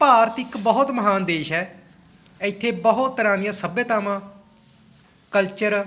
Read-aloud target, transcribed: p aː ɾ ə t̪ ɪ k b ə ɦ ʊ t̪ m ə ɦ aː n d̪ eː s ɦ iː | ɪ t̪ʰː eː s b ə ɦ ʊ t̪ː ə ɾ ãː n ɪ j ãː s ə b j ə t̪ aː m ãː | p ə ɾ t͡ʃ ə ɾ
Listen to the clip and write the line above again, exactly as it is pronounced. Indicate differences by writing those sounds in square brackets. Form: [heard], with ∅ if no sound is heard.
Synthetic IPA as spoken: p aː ɾ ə t̪ ɪ k b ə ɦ ʊ t̪ m ə ɦ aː n d̪ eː [ʃ] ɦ [ɛː] | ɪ t̪ʰː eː [∅] b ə ɦ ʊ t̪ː ə ɾ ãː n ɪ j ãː s ə b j ə t̪ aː m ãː | [k] ə [l] t͡ʃ ə ɾ